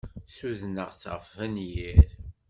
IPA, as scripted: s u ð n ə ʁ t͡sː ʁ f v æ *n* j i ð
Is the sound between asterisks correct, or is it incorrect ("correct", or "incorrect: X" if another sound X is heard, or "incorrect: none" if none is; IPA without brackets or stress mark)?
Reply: correct